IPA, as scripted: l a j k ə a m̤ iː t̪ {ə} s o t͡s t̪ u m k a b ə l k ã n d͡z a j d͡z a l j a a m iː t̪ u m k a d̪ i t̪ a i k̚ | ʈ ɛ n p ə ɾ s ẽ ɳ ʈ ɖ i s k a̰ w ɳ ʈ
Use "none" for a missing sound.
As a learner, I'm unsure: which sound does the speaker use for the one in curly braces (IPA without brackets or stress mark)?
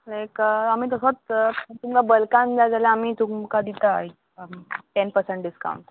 ə